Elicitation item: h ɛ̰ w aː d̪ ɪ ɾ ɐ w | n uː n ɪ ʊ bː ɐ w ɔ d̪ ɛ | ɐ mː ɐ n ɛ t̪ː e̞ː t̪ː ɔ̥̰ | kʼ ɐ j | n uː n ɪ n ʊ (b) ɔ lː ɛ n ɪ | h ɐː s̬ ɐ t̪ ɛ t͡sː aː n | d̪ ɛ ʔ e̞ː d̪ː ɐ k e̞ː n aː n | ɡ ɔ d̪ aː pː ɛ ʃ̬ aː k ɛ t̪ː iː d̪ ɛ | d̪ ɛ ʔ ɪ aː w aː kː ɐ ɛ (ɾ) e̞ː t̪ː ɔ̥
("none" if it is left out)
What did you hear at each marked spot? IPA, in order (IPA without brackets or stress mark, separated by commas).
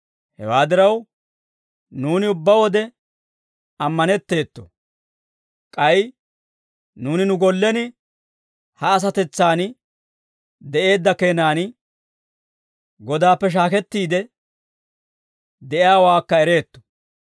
ɡ, ɾ